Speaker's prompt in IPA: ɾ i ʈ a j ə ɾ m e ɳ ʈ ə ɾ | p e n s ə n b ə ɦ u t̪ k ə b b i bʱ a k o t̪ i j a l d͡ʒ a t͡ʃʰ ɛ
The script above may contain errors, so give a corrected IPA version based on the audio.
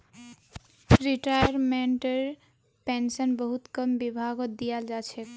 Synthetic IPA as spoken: ɾ i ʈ a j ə ɾ m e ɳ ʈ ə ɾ | p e n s ə n b ə ɦ u t̪ k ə m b i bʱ a ɡ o d̪ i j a l d͡ʒ a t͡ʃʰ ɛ

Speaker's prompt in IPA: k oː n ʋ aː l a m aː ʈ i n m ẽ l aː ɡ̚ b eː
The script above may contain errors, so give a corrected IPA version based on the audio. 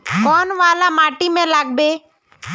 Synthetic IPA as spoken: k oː n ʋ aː l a m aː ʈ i m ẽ l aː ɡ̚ b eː

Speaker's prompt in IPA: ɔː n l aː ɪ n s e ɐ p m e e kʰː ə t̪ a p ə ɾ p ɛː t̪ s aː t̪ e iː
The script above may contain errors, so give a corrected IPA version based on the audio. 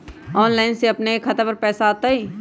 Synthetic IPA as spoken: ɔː n l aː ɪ n s e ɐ p n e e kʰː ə t̪ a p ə ɾ p ɛː s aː t̪ a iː

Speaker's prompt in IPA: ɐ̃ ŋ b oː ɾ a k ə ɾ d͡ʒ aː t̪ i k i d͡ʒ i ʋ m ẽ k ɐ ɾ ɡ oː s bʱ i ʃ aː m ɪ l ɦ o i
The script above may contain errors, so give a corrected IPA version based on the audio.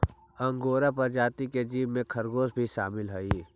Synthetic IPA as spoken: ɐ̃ ŋ ɡ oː ɾ a p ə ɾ d͡ʒ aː t̪ i k e d͡ʒ iː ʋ m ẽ kʰ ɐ ɾ ɡ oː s bʱ i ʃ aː m ɪ l ɦ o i

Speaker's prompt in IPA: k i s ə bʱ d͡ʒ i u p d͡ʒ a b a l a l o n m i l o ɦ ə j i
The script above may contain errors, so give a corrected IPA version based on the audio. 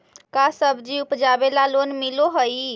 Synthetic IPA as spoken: k a s ə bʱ d͡ʒ i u p d͡ʒ a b e l a l o n m i l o ɦ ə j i

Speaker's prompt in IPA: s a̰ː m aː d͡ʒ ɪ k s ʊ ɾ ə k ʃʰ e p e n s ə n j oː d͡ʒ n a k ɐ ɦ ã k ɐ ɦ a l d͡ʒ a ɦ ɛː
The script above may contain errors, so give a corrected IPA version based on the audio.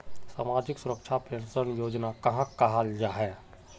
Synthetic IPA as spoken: s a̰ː m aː d͡ʒ ɪ k s ʊ ɾ ə k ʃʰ a p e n s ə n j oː d͡ʒ n a k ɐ ɦ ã k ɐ ɦ a l d͡ʒ a ɦ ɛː

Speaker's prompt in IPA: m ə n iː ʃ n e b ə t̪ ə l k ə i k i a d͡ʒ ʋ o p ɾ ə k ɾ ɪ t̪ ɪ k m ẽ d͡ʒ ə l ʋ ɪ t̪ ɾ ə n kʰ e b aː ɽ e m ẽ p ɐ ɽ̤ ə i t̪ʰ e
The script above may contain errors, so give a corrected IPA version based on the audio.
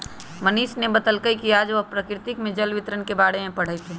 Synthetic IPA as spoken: m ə n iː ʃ n e b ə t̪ ə l k ə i k i a d͡ʒ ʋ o p ɾ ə k ɾ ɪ t̪ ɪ k m ẽ d͡ʒ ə l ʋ ɪ t̪ ɾ ə n k e b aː ɽ e m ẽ p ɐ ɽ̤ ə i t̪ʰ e

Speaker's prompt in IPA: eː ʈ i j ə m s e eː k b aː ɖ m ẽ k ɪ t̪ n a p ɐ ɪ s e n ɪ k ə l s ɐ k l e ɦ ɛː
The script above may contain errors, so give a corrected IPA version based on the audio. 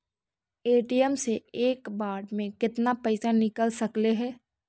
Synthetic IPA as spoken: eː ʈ i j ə m s e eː k b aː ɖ m ẽ k ɪ t̪ n a p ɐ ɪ s a n ɪ k ə l s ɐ k l e ɦ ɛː

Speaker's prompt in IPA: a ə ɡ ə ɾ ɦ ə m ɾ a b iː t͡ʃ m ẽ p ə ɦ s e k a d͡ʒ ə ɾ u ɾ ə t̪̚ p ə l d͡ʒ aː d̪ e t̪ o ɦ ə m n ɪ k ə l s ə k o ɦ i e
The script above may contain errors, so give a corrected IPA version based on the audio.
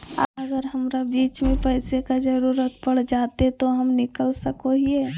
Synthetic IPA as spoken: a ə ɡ ə ɾ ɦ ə m ɾ a b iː t͡ʃ m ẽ p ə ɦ s e k a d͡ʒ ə ɾ u ɾ ə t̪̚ p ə ɽ d͡ʒ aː t̪ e t̪ o ɦ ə m n ɪ k ə l s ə k o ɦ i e

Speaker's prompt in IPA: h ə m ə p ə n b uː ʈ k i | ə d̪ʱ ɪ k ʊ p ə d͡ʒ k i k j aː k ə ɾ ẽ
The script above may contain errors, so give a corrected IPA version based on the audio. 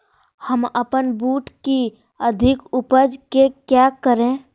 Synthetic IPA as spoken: h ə m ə p ə n b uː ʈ k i | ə d̪ʱ ɪ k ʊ p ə d͡ʒ k e k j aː k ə ɾ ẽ

